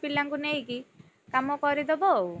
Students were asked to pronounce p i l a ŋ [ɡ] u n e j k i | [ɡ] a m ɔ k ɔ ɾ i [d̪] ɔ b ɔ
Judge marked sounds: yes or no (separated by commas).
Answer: no, no, yes